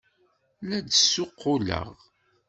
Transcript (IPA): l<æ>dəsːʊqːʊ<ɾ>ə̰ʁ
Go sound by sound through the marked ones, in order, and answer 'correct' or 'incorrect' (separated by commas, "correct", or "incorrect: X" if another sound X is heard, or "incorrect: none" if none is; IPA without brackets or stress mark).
correct, incorrect: l